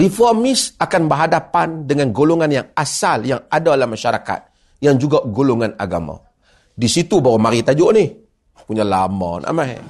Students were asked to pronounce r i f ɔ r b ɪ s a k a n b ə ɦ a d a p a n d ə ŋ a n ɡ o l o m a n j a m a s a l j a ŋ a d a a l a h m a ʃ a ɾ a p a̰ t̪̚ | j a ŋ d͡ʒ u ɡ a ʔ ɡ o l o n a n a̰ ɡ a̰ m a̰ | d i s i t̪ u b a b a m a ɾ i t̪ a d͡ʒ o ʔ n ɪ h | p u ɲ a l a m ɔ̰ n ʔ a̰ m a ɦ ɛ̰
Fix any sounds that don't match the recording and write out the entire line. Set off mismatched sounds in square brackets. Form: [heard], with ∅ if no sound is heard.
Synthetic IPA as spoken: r i f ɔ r [m] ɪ s a k a n b ə ɦ a d a p a n d ə ŋ a n ɡ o l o [ŋ] a n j a [ŋ] a s a l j a ŋ a d a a l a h m a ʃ a ɾ a [k] a̰ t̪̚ | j a ŋ d͡ʒ u ɡ a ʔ ɡ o l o [ŋ] a n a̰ ɡ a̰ m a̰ | d i s i t̪ u b a [w] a m a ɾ i t̪ a d͡ʒ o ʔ n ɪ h | p u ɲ a l a m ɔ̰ n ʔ a̰ m a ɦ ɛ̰